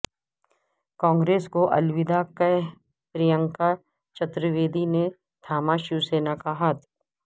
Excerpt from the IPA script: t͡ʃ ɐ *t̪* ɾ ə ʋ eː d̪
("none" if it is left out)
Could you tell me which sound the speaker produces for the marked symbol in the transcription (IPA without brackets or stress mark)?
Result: t̪